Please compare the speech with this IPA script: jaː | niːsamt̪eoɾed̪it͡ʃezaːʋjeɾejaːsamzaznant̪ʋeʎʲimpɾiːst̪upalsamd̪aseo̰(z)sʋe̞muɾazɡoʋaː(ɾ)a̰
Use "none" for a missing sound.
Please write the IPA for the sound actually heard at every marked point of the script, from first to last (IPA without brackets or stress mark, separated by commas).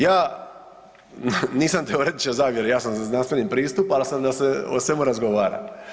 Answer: none, ɾ